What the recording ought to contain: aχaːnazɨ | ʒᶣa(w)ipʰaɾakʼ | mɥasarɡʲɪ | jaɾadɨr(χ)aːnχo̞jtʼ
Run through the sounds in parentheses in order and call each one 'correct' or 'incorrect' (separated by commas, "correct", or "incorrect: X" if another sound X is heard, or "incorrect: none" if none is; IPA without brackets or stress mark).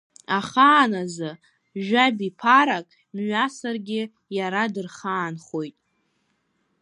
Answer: incorrect: b, correct